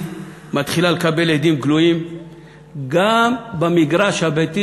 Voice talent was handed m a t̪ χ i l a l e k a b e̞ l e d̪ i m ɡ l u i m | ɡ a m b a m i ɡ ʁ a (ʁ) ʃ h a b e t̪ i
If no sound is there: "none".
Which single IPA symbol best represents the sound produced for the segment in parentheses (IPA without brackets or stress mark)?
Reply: none